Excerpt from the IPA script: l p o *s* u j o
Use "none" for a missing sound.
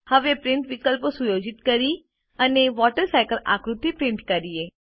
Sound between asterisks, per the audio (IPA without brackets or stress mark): s